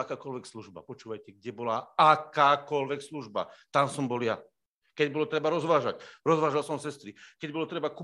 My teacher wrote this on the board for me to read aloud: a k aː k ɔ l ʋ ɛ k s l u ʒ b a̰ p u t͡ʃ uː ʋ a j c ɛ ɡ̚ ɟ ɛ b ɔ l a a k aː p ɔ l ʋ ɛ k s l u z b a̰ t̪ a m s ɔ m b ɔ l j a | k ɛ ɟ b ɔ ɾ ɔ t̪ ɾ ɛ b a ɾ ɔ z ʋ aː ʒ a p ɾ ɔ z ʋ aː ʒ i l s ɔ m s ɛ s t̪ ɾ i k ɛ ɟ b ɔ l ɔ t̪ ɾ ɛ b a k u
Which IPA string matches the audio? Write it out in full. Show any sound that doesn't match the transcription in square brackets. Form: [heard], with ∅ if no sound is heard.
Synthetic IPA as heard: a k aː k ɔ l ʋ ɛ k s l u ʒ b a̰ p [ɔ] t͡ʃ uː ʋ a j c ɛ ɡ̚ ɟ ɛ b ɔ l a a k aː [k] ɔ l ʋ ɛ k s l u [ʒ] b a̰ t̪ a m s ɔ m b ɔ l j a | k ɛ ɟ b ɔ [l] ɔ t̪ ɾ ɛ b a ɾ ɔ z ʋ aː ʒ a [c] ɾ ɔ z ʋ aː ʒ [a] l s ɔ m s ɛ s t̪ ɾ i k ɛ ɟ b ɔ l ɔ t̪ ɾ ɛ b a k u